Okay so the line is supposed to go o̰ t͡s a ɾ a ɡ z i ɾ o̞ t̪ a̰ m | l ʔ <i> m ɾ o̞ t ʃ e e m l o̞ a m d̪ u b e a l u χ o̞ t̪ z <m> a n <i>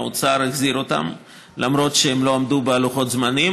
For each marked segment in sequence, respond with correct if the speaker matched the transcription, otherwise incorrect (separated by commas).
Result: incorrect, correct, correct